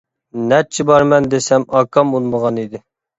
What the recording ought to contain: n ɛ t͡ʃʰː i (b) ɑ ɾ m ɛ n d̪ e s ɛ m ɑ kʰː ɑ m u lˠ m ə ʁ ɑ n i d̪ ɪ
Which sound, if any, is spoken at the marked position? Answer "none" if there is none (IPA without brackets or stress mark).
b